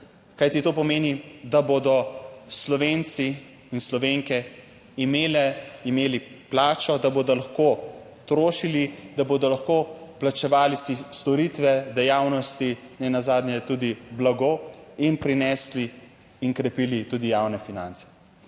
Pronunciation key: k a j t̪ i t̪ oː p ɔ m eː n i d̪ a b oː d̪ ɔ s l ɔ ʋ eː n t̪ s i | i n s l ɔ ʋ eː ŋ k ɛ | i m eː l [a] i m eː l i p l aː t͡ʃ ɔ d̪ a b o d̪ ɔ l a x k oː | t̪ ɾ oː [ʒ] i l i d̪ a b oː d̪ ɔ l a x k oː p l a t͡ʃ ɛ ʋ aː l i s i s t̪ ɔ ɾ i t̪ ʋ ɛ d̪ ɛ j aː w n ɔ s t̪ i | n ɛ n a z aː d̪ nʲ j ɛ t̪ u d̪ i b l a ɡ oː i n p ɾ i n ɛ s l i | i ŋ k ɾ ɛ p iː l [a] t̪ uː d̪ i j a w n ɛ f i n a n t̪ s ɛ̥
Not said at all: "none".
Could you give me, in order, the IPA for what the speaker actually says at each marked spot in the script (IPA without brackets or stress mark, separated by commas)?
ɛ, ʃ, i